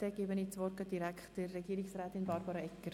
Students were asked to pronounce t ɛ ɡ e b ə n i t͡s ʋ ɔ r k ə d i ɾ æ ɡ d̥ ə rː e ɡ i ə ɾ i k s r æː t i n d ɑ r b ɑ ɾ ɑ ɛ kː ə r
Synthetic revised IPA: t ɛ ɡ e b ə n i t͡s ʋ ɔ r k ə d i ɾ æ k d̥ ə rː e ɡ i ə ɾ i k s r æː t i n b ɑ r b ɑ ɾ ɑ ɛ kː ə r